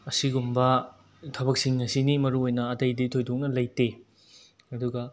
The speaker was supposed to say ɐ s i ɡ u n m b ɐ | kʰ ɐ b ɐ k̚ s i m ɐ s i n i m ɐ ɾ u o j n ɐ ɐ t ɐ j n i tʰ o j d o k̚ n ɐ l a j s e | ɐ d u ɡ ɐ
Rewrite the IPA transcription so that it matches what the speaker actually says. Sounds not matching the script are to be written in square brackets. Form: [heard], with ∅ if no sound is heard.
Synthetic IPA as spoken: ɐ s i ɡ u [∅] m b ɐ | [tʰ] ɐ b ɐ k̚ s i [ŋ] ɐ s i n i m ɐ ɾ u o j n ɐ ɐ t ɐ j [d] i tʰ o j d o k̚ n ɐ l [ɐ] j [t] e | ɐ d u ɡ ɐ

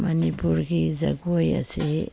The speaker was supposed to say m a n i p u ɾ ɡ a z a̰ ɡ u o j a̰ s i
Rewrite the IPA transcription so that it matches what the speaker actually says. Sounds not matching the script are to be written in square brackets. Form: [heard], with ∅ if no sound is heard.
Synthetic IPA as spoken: m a n i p u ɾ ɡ [i] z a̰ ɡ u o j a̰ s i

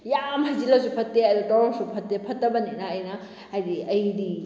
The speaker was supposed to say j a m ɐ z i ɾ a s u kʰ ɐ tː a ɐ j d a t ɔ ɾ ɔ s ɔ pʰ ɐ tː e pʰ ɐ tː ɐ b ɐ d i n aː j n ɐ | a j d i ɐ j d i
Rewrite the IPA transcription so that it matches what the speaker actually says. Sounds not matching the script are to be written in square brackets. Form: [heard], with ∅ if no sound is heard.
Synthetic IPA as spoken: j a m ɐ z i [l] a s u [pʰ] ɐ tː [e] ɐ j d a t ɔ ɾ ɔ s [u] pʰ ɐ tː e pʰ ɐ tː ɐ b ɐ [n] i n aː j n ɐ | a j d i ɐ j d i

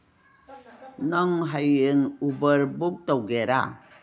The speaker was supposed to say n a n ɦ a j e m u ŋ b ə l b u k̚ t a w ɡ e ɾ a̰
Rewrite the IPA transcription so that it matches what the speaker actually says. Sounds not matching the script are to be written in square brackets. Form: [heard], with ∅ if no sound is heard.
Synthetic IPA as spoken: n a [ŋ] ɦ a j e [ŋ] u [∅] b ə [ɾ] b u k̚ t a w ɡ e ɾ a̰

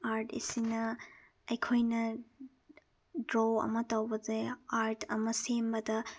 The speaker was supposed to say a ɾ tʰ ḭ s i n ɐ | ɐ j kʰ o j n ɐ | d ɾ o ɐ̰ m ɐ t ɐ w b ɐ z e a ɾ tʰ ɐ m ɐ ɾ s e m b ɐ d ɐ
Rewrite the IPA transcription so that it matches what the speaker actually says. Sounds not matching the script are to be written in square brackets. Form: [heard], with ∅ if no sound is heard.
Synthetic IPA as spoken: a ɾ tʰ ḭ s i n ɐ | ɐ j kʰ o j n ɐ | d ɾ o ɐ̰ m ɐ t ɐ w b ɐ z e a ɾ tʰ ɐ m ɐ [∅] s e m b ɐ d ɐ

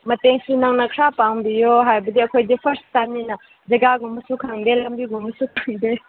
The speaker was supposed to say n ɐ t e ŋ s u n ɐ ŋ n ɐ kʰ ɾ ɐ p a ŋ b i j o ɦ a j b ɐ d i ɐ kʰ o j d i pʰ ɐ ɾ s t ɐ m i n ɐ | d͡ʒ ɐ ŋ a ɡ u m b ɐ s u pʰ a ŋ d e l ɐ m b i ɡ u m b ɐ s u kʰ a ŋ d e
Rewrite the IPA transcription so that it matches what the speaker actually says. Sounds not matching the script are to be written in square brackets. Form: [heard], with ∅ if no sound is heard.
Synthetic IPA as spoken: [m] ɐ t e ŋ s u n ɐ ŋ n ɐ kʰ ɾ [a] p a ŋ b i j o ɦ a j b ɐ d i ɐ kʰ o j d i pʰ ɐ ɾ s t [a] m i n ɐ | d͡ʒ ɐ [ɡ] a ɡ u m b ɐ s u [kʰ] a ŋ d e l ɐ m b i ɡ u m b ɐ s u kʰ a ŋ d e

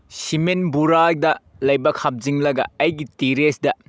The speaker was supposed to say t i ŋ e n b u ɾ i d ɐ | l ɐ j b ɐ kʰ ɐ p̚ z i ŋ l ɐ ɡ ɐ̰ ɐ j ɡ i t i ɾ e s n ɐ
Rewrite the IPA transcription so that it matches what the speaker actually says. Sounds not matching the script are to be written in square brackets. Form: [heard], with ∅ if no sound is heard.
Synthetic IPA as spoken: [s] i [m] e n b u ɾ [a] d ɐ | l ɐ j b ɐ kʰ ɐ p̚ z i ŋ l ɐ ɡ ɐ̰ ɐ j ɡ i t i ɾ e s [d] ɐ

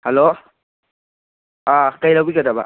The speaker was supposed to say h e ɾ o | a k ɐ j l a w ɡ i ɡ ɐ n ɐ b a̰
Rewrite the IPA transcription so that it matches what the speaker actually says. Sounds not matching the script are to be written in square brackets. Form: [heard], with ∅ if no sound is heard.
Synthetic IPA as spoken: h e [l] o | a k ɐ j l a w [b] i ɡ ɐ [d] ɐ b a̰

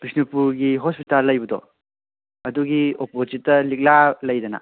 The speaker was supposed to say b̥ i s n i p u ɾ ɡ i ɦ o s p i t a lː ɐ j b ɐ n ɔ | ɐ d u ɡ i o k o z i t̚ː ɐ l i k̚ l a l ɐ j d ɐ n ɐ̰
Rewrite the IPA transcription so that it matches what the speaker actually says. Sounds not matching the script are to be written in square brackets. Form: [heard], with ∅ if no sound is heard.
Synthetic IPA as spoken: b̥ i s n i p u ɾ ɡ i ɦ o s p i t a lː ɐ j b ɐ [d] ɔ | ɐ d u ɡ i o [p] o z i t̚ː ɐ l i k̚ l a l ɐ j d ɐ n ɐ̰

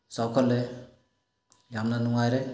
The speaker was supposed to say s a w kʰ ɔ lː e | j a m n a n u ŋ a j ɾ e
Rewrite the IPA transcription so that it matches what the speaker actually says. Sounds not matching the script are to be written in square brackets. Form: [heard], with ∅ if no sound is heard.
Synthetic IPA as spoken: s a w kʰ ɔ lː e | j a m n a n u ŋ a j ɾ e

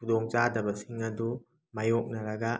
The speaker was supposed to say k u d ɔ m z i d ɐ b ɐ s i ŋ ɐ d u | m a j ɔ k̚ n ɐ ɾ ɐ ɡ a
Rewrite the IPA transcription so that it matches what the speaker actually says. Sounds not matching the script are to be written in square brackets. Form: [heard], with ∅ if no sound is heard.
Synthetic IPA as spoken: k u d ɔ [ŋ] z [a] d ɐ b ɐ s i ŋ ɐ d u | m a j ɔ k̚ n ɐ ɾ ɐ ɡ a

